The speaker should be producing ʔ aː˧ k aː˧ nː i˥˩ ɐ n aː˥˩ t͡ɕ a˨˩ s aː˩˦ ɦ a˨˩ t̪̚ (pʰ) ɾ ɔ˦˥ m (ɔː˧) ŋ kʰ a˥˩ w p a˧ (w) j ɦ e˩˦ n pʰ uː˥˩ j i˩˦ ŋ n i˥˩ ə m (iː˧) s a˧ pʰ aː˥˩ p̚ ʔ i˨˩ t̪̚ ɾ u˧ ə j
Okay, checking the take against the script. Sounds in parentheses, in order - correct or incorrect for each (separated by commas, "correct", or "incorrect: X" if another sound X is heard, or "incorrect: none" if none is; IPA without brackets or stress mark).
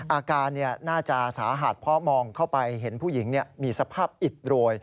correct, correct, incorrect: none, correct